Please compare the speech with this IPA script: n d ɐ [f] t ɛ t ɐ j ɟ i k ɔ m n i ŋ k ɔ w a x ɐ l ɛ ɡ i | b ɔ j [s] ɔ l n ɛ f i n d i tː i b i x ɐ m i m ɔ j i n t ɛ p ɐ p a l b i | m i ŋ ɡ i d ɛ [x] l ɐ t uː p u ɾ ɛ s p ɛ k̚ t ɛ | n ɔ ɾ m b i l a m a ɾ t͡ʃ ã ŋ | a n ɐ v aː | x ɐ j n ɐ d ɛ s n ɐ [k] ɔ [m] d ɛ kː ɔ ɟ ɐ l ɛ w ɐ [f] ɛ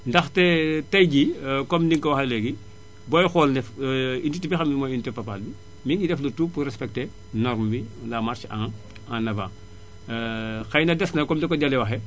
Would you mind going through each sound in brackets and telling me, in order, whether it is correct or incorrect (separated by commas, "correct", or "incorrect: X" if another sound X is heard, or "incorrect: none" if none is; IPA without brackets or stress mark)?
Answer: incorrect: x, incorrect: x, incorrect: f, correct, correct, incorrect: x